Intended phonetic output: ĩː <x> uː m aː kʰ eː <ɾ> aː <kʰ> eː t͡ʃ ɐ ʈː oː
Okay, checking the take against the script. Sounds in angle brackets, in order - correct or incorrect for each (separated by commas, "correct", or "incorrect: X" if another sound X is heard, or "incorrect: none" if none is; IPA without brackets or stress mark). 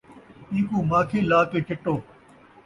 incorrect: k, incorrect: l, incorrect: k